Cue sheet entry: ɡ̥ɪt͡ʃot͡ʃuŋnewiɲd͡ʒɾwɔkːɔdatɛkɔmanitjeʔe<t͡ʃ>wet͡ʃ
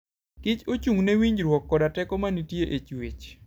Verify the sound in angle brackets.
correct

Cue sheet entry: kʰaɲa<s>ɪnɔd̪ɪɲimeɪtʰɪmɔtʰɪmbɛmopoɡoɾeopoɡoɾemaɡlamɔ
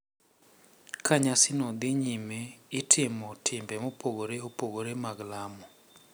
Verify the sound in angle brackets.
correct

